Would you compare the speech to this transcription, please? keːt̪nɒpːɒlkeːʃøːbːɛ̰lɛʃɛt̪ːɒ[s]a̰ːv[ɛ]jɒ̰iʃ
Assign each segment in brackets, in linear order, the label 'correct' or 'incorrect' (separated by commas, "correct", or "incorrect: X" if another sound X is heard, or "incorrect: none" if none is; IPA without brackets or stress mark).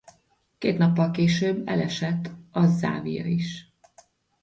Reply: incorrect: z, incorrect: i